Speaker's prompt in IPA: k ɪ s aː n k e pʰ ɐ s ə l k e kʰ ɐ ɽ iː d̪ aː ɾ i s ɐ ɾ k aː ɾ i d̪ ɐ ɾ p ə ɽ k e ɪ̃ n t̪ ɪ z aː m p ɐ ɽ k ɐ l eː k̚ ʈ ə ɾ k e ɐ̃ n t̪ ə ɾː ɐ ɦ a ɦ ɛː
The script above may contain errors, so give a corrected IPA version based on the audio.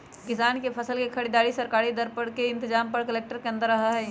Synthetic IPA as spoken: k ɪ s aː n k e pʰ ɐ s ə l k e kʰ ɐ ɽ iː d̪ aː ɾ i s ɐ ɾ k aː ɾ i d̪ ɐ ɾ p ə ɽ k e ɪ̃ n t̪ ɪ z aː m p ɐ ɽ k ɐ l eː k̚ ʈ ə ɾ k e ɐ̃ n d̪ ə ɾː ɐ ɦ a ɦ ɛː

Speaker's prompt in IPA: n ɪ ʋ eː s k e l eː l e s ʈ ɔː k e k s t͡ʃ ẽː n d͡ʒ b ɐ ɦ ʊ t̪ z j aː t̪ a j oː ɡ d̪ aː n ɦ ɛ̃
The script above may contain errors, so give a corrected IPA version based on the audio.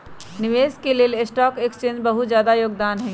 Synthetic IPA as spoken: n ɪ ʋ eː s k e l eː l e s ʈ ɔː k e k s t͡ʃ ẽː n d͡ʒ b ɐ ɦ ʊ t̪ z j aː d̪ a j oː ɡ d̪ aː n ɦ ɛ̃

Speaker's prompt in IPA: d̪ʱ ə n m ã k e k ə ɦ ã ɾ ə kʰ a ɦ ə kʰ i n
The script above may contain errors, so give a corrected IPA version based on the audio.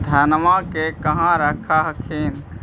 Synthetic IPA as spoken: d̪ʱ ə n m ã k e k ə ɦ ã ɾ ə kʰ a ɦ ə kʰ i n

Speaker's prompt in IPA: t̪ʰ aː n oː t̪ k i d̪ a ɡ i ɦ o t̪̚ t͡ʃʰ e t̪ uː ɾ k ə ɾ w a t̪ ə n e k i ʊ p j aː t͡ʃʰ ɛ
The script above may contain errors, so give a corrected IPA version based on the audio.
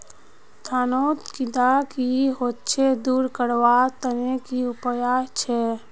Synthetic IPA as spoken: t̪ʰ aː n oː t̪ k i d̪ a k i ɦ o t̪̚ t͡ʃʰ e d̪ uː ɾ k ə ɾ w a t̪ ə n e k i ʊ p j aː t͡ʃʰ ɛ

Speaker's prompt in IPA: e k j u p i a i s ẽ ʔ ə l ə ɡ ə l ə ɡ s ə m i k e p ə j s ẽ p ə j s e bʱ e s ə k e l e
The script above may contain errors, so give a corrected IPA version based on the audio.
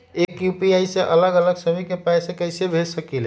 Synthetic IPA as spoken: e k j u p i a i s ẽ ʔ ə l ə ɡ ə l ə ɡ s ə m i k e p a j s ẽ k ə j s e bʱ e s ə k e l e

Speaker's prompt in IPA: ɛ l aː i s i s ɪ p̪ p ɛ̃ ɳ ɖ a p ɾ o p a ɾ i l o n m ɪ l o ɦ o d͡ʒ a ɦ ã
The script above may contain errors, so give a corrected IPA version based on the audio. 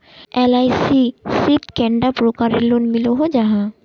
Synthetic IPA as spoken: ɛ l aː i s i s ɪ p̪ k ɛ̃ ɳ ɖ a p ɾ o k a ɾ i l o n m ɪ l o ɦ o d͡ʒ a ɦ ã

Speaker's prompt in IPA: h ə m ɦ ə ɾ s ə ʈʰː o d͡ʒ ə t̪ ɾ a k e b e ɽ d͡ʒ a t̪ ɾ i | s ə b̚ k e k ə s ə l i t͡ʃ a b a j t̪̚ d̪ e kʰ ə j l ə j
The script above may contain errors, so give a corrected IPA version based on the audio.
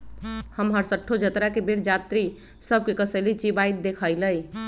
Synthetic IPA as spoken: h ə m ɦ ə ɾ s ə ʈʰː o d͡ʒ ə t̪ ɾ a k e b e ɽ d͡ʒ a t̪ ɾ i | s ə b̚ k e k ə s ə l i t͡ʃ i b a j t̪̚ d̪ e kʰ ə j l ə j

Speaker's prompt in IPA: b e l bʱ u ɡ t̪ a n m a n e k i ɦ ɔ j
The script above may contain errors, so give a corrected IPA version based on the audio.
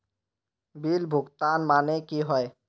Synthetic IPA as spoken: b i l bʱ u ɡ t̪ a n m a n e k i ɦ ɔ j

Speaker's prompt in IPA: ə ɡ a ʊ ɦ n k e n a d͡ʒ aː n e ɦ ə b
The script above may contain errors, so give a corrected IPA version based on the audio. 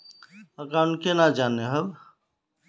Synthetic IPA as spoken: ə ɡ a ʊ n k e n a d͡ʒ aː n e ɦ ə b

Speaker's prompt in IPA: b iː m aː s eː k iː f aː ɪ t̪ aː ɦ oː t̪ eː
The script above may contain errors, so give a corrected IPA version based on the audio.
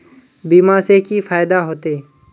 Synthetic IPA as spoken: b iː m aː s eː k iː f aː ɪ d̪ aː ɦ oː t̪ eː

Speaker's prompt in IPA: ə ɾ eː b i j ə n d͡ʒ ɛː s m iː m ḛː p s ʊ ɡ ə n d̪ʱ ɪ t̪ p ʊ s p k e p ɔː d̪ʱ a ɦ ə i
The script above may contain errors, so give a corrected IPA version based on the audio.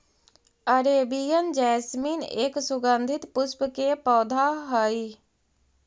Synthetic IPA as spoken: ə ɾ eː b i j ə n d͡ʒ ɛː s m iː n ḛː k s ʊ ɡ ə n d̪ʱ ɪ t̪ p ʊ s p k e p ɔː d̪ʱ a ɦ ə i

